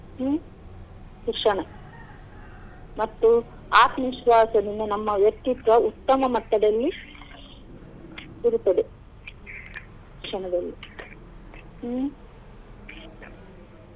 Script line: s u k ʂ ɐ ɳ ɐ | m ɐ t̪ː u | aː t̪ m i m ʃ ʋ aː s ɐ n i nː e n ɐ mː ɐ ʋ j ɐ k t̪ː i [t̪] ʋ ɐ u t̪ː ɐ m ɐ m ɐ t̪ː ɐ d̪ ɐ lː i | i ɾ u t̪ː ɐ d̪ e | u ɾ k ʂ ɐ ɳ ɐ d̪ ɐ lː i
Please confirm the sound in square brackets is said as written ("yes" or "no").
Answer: yes